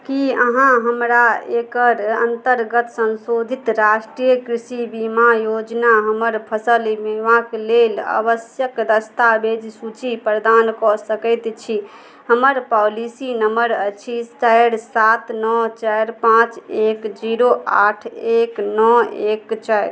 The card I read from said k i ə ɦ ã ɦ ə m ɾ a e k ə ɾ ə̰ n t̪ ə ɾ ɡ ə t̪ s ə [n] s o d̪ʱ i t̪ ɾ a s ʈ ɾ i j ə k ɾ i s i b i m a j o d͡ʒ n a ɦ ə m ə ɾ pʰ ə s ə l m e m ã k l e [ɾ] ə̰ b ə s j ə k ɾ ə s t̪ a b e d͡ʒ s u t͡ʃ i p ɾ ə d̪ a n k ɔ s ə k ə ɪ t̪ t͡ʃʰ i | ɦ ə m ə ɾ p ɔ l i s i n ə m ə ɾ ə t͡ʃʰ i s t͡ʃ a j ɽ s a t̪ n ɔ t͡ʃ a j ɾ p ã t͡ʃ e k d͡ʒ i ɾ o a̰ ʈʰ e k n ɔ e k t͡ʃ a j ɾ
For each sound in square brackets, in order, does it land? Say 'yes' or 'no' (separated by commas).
yes, no